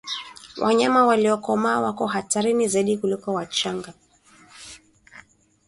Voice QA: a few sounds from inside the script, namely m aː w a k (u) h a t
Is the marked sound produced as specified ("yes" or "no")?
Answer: no